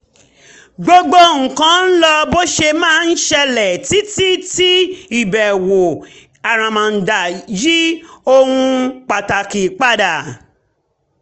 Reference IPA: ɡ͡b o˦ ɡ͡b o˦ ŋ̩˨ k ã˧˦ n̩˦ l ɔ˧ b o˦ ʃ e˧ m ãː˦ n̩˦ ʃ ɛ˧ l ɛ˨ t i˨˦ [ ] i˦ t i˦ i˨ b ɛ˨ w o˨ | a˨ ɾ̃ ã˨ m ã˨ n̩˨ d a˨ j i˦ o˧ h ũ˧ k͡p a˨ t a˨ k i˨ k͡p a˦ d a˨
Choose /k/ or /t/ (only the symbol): t